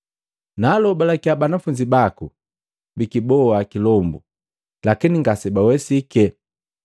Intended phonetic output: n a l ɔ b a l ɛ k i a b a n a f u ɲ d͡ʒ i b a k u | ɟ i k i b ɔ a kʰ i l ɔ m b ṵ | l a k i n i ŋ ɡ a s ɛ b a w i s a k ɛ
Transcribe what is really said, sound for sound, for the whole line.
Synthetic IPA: n a l ɔ b a l a k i a b a n a f u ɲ d͡ʒ i b a k u | b i k i b ɔ a k i l ɔ m b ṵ | l a k i n i ŋ ɡ a s ɛ b a w ɛ s i k ɛ